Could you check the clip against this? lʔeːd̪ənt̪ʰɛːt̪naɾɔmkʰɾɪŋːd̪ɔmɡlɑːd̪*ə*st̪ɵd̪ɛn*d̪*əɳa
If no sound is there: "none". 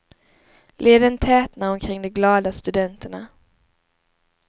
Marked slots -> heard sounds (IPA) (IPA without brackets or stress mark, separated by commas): a, t̪